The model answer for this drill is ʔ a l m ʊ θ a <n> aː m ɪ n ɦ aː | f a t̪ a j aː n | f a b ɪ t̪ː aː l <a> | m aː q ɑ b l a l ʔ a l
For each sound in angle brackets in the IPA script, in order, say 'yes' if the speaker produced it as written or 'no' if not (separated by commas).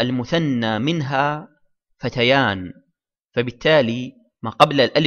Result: no, no